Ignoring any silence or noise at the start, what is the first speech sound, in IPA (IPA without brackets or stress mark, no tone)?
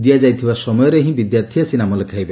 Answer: d̪